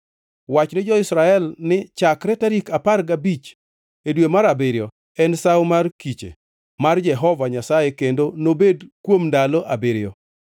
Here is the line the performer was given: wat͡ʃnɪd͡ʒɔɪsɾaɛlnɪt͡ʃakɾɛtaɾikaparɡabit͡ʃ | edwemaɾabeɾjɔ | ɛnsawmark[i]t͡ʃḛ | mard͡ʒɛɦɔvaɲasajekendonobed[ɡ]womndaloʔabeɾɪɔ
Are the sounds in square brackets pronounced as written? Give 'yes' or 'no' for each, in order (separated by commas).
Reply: yes, no